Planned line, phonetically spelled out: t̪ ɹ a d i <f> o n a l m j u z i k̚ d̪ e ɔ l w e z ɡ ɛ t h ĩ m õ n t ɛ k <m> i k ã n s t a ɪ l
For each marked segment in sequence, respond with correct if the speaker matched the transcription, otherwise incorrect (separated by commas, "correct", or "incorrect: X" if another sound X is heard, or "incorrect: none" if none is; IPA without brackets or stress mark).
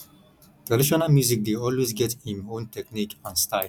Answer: incorrect: ʃ, incorrect: n